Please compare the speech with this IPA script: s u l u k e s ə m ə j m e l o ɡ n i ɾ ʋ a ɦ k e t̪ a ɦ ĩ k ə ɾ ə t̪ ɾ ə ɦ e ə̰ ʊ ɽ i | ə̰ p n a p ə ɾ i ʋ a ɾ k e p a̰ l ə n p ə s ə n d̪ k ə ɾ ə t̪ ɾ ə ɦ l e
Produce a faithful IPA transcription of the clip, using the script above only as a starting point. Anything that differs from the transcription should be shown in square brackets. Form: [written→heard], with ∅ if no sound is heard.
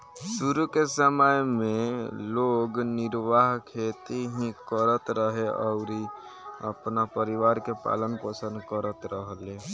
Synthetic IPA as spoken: s u [l→ɾ] u k e s ə m ə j m e l o ɡ n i ɾ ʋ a ɦ [k→kʰ] e t̪ [a→i] ɦ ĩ k ə ɾ ə t̪ ɾ ə ɦ e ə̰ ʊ [ɽ→ɾ] i | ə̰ p n a p ə ɾ i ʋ a ɾ k e p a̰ l ə n p ə s ə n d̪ k ə ɾ ə t̪ ɾ ə ɦ l e